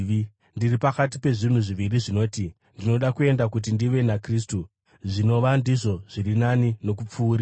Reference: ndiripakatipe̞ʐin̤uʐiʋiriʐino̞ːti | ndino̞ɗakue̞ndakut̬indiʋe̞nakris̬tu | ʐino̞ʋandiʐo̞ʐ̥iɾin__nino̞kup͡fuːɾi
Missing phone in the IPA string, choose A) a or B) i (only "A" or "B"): A